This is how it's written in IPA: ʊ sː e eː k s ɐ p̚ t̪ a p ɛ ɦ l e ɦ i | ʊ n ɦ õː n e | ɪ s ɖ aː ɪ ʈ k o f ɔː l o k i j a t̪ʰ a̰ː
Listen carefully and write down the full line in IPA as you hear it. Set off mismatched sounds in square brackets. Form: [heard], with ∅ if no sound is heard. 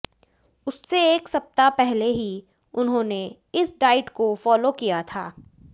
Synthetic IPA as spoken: ʊ sː e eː k s ɐ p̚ t̪ a p ɛ ɦ l e ɦ i | ʊ n ɦ õː n e | ɪ s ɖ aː ɪ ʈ k o f ɔː l o k i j a t̪ʰ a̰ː